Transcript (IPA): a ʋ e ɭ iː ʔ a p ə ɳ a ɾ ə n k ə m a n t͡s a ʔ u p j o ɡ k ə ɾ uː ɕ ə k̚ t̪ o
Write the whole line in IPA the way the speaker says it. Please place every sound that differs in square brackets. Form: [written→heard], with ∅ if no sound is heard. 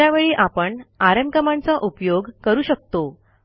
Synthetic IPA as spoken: a ʋ e ɭ iː ʔ a p ə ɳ a ɾ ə [n→m] k ə m a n t͡s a ʔ u p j o ɡ k ə ɾ uː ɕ ə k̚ t̪ o